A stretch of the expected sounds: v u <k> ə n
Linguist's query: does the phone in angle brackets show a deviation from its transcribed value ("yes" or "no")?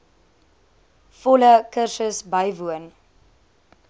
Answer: yes